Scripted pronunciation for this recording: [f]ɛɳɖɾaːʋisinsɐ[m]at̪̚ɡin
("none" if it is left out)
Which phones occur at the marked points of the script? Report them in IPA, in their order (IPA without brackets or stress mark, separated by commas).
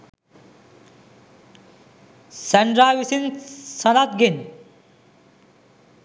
s, n